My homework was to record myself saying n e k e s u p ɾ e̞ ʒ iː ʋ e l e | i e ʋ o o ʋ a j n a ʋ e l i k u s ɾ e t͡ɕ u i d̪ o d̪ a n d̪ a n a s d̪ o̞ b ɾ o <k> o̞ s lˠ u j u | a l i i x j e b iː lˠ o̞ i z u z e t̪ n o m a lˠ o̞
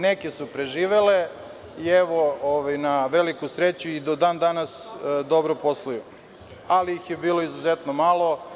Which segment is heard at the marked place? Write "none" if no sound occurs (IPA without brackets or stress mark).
p